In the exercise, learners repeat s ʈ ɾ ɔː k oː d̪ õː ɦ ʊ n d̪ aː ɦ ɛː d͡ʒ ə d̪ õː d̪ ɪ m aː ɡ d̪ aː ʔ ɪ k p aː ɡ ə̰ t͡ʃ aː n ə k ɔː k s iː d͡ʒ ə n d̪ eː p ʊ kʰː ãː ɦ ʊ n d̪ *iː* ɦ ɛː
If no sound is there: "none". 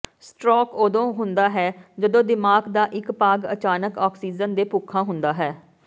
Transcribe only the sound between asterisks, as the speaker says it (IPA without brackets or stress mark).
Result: aː